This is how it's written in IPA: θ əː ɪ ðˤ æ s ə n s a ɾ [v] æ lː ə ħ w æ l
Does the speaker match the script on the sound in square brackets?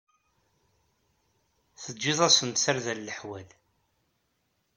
no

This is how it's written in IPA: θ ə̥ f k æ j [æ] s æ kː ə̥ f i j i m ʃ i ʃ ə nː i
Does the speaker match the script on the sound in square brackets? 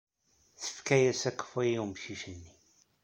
yes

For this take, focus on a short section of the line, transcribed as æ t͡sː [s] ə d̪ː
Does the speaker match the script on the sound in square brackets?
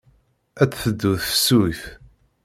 no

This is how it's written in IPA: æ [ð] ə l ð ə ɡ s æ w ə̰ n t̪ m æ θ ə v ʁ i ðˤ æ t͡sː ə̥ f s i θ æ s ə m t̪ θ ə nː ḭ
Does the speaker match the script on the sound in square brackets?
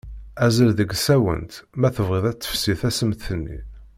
no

